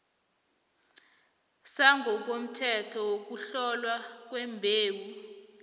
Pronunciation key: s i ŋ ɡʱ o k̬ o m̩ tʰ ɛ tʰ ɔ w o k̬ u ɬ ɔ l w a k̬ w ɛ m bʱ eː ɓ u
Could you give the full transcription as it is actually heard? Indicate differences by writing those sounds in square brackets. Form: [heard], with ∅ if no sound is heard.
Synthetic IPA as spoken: s [a] ŋ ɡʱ [ɔ] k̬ o m̩ tʰ ɛ tʰ ɔ w o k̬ u ɬ ɔ l w a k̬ w ɛ m bʱ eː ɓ u